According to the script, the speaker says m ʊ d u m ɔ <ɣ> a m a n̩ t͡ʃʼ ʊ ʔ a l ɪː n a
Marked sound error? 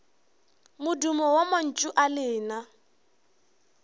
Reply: yes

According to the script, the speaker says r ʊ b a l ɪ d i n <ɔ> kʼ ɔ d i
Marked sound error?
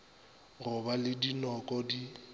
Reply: no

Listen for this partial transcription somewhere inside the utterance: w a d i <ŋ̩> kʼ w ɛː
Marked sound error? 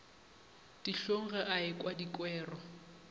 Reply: yes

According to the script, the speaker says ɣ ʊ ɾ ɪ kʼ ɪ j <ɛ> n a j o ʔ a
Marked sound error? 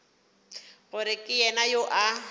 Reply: no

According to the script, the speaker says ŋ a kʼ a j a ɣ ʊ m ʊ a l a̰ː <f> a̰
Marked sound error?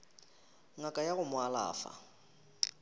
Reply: no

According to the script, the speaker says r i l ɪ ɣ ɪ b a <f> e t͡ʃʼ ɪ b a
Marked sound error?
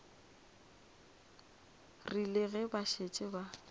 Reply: yes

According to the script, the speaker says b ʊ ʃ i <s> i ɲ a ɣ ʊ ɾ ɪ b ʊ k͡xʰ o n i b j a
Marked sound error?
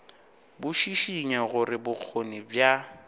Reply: yes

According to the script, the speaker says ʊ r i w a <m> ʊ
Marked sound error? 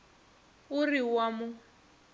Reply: no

